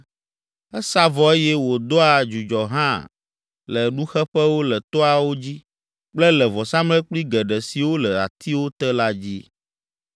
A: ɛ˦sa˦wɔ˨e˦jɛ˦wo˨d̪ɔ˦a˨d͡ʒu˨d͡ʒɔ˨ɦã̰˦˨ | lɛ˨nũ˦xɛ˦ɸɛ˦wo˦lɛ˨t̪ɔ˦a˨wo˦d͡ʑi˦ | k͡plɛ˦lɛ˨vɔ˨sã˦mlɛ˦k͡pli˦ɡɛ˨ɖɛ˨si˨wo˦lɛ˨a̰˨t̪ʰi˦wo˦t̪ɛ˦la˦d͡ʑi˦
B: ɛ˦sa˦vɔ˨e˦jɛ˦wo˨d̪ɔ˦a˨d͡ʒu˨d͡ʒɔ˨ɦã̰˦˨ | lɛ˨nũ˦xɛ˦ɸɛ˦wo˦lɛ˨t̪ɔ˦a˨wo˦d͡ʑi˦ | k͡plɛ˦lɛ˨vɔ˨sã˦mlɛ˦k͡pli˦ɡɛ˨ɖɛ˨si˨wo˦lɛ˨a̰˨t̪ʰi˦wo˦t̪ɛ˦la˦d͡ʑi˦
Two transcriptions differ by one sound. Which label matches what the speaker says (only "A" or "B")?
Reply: B